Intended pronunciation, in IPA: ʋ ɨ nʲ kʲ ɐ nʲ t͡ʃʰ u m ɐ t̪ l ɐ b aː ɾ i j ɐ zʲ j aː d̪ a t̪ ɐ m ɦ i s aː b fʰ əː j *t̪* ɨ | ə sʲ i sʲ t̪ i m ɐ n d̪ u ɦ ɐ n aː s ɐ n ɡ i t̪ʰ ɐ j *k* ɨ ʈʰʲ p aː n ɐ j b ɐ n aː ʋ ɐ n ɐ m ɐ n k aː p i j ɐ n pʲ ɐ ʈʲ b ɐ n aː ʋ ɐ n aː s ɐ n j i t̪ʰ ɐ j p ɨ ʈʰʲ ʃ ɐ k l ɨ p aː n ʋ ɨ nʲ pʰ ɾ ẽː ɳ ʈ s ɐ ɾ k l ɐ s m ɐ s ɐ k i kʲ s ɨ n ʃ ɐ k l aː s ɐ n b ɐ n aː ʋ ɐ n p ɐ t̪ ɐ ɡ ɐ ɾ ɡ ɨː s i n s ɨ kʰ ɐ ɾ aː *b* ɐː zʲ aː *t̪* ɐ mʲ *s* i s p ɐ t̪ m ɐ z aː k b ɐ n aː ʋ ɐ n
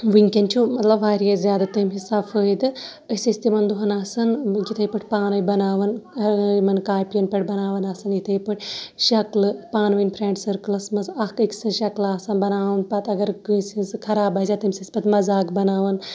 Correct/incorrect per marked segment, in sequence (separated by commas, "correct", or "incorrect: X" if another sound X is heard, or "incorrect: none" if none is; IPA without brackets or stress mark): incorrect: d̪, incorrect: p, correct, correct, correct